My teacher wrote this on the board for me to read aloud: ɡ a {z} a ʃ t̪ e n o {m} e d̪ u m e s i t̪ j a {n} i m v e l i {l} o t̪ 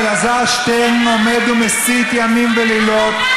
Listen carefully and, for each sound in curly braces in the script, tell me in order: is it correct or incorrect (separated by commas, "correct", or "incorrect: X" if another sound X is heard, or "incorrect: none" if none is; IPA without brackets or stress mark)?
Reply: correct, correct, incorrect: m, correct